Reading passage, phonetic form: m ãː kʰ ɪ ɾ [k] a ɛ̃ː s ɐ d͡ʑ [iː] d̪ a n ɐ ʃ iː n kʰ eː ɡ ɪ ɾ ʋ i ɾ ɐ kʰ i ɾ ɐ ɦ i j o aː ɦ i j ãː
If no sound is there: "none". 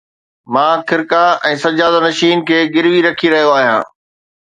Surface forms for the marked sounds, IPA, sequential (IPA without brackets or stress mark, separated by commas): k, aː